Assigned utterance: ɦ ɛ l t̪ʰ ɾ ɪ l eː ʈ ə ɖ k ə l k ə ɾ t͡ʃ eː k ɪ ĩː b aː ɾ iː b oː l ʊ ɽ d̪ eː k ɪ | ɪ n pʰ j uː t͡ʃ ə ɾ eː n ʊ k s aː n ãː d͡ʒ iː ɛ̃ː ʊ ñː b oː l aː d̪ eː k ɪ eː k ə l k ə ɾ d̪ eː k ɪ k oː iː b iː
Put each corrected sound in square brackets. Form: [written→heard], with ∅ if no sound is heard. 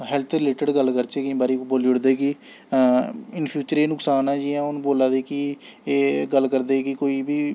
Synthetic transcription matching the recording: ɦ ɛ l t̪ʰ ɾ ɪ l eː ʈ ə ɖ [k→ɡ] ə l k ə ɾ t͡ʃ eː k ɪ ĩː b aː ɾ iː b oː l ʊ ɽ d̪ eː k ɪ | ɪ n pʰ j uː t͡ʃ ə ɾ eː n ʊ k s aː n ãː d͡ʒ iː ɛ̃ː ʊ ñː b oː l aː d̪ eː k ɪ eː [k→ɡ] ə l k ə ɾ d̪ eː k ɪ k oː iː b iː